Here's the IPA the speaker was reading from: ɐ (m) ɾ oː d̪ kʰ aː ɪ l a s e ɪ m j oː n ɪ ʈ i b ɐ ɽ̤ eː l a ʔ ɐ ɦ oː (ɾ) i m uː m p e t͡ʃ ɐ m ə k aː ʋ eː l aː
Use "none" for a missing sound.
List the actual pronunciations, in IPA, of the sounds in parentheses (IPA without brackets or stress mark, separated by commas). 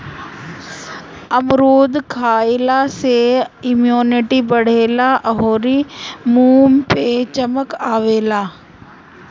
m, ɾ